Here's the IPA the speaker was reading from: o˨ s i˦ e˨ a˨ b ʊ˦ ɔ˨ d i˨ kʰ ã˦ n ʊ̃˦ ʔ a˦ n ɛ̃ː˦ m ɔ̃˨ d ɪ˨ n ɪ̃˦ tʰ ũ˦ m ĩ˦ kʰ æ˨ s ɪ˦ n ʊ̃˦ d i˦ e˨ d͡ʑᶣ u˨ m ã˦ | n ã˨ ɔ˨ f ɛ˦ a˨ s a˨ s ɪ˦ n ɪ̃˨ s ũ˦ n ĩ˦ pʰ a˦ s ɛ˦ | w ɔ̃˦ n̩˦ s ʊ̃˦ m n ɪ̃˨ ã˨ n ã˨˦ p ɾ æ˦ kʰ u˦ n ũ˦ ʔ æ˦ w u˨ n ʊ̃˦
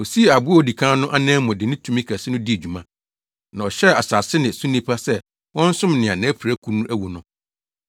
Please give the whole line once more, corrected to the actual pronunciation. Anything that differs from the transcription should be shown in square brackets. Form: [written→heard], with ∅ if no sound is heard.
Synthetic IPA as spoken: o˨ s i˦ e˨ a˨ b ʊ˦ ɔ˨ d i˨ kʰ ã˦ n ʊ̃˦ ʔ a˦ n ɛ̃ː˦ m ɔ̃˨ d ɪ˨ n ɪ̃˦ tʰ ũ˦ m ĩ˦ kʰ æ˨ s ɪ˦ n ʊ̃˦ d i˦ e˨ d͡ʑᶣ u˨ m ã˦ | n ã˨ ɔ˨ [f→ɕ] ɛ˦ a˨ s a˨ s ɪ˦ n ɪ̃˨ s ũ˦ n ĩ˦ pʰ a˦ s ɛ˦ | w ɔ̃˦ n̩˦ s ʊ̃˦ m n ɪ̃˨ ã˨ n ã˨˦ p ɾ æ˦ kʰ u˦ n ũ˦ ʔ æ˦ w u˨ n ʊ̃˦